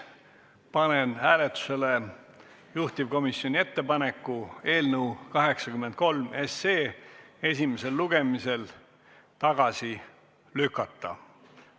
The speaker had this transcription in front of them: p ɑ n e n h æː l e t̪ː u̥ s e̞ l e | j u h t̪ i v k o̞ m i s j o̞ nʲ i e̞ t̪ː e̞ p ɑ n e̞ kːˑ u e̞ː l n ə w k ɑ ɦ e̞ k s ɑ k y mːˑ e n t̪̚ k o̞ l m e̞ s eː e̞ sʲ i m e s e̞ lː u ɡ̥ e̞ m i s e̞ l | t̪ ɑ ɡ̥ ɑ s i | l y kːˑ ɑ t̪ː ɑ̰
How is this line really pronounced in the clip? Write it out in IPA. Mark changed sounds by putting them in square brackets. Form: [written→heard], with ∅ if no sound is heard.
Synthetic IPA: p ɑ n e n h æː l e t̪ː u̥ s e̞ l e | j u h t̪ i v k o̞ m i s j o̞ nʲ i e̞ t̪ː e̞ p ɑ n e̞ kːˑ u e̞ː l n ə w k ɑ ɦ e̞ k s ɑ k y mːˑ e n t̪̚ k o̞ l m e̞ s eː e̞ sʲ i m e s e̞ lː u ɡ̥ e̞ m i s e̞ l | t̪ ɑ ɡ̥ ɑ s i | l y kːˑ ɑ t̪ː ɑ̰